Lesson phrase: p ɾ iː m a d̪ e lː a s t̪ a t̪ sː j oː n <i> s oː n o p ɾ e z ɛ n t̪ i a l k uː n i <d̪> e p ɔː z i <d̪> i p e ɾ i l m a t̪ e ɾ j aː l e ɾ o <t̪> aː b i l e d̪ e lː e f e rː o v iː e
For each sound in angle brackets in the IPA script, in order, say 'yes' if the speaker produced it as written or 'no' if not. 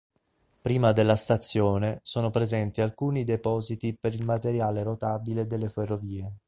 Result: no, yes, no, yes

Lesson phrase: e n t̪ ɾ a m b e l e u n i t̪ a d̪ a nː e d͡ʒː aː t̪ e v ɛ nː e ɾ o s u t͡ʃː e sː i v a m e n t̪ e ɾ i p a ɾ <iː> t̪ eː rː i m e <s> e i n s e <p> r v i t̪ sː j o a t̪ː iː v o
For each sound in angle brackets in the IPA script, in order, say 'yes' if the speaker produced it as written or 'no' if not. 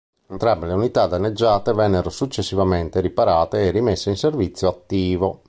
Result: no, no, no

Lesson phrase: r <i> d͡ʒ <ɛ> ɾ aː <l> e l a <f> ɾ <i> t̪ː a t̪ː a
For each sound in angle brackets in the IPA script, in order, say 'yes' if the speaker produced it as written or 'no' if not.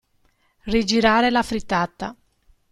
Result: yes, no, no, yes, yes

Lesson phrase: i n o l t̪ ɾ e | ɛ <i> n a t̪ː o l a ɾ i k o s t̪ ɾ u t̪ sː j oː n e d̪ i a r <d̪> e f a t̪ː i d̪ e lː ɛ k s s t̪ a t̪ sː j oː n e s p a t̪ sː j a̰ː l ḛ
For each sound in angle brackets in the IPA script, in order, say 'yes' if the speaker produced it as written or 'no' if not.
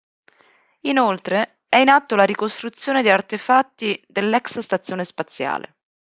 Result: yes, no

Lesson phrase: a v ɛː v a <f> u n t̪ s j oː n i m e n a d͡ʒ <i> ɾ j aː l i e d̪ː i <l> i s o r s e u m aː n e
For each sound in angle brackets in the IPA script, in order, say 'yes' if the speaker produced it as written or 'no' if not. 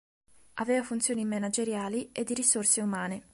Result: yes, no, no

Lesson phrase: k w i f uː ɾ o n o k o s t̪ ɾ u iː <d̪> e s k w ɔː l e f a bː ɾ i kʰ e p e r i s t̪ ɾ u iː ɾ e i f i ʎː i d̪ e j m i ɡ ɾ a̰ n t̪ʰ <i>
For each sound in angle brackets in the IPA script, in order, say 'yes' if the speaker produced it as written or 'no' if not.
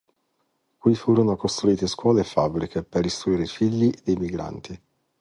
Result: no, yes

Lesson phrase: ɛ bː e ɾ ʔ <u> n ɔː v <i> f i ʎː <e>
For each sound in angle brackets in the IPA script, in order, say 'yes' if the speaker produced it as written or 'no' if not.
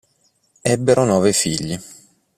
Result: no, no, no

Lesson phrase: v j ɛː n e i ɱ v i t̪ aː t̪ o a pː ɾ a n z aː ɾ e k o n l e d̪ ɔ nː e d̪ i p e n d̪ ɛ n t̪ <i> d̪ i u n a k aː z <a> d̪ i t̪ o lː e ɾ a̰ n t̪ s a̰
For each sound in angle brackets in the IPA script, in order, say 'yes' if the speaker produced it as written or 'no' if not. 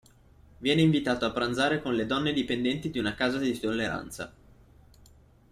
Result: yes, yes

